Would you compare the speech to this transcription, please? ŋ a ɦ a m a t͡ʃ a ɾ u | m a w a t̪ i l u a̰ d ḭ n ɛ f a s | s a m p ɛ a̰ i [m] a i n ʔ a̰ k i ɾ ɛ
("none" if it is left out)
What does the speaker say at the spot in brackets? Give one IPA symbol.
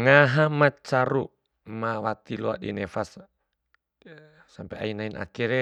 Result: n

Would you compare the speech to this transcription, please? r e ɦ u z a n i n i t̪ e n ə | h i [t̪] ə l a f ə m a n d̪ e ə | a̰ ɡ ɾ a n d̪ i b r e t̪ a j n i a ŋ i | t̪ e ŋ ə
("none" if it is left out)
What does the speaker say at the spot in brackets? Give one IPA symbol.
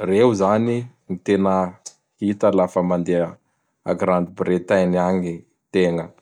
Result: t̪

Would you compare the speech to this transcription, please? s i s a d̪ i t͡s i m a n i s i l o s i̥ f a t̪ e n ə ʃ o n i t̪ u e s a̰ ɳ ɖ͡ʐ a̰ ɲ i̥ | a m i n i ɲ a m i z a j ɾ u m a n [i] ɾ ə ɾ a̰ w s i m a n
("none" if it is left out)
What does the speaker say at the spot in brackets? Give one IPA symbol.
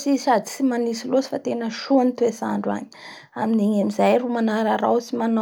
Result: a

